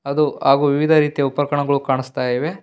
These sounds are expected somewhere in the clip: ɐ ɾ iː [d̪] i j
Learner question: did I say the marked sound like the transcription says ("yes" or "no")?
no